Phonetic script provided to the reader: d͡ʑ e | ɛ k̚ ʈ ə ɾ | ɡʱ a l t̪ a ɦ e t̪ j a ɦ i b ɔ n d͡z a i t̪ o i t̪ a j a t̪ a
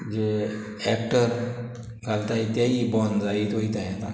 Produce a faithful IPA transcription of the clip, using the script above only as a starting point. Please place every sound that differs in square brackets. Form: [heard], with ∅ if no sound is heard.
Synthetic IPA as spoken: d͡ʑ e | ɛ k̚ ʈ ə ɾ | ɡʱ a l t̪ a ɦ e t̪ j a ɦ i b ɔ n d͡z a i t̪ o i t̪ a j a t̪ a